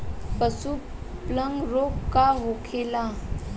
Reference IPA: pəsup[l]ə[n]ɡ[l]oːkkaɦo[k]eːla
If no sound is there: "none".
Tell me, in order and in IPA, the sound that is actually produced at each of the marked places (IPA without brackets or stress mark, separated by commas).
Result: l, ŋ, ɾ, kʰ